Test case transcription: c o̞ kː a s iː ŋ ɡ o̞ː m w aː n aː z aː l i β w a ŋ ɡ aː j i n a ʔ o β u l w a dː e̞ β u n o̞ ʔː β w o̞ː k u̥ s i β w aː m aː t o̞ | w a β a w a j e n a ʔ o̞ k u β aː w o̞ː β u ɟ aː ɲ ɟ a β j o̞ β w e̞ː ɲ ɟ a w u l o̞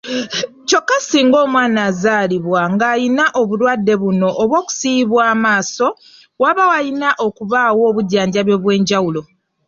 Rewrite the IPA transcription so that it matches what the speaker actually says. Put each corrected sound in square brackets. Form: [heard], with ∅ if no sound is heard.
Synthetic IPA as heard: c o̞ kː a s iː ŋ ɡ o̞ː m w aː n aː z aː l i β w a ŋ ɡ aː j i n a ʔ o β u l w a dː e̞ β u n o̞ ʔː β w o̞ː k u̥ s i β w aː m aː [s] o̞ | w a β a w a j [i] n a ʔ o̞ k u β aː w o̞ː β u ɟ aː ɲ ɟ a β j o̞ β w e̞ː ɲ ɟ a w u l o̞